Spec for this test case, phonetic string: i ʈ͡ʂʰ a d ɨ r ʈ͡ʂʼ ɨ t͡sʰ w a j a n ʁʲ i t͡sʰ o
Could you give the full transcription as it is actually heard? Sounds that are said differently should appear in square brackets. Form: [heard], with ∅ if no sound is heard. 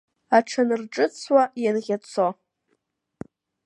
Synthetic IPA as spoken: [a] ʈ͡ʂʰ a [n] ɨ r ʈ͡ʂʼ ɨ t͡sʰ w a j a n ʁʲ [a] t͡sʰ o